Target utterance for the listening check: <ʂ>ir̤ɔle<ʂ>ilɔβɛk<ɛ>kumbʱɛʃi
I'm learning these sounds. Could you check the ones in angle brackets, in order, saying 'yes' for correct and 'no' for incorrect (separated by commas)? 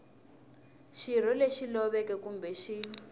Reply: no, no, yes